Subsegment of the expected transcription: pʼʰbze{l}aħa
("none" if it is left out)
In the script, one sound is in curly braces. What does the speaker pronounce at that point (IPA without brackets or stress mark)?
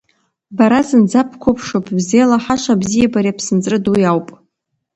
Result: l